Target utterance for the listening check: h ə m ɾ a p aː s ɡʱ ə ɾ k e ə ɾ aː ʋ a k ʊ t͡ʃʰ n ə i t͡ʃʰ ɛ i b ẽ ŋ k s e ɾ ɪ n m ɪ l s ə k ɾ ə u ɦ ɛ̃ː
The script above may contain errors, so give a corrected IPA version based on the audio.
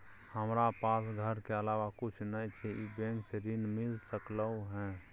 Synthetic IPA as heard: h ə m ɾ a p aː s ɡʱ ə ɾ k e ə l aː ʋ a k ʊ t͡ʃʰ n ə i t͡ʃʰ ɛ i b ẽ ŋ k s e ɾ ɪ n m ɪ l s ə k l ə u ɦ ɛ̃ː